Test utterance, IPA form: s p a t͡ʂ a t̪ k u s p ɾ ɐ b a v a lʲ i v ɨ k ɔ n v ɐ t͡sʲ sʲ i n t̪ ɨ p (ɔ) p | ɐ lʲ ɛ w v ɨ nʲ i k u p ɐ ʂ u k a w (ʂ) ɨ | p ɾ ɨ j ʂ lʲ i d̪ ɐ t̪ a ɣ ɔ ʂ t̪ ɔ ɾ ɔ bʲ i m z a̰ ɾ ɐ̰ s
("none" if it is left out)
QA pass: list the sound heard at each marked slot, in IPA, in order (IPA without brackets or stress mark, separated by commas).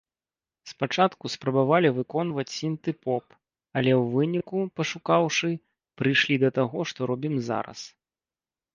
ɔ, ʂ